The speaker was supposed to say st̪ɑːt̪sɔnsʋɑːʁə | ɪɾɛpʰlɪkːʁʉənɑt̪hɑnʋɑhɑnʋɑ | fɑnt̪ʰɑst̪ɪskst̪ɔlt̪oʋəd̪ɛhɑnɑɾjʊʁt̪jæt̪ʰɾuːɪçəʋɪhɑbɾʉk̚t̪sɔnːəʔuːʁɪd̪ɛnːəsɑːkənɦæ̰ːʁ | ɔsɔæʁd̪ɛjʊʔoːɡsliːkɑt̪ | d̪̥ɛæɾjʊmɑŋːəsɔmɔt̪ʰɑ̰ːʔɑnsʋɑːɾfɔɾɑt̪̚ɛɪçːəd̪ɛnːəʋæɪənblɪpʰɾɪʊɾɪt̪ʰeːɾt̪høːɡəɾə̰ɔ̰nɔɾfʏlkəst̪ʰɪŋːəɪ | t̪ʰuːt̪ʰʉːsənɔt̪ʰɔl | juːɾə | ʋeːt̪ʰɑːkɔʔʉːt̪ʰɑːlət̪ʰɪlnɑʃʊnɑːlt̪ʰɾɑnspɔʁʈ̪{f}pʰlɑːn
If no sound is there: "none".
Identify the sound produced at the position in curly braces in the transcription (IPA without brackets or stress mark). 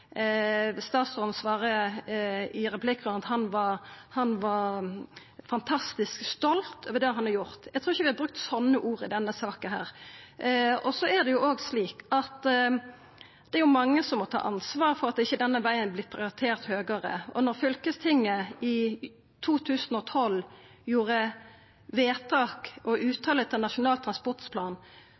s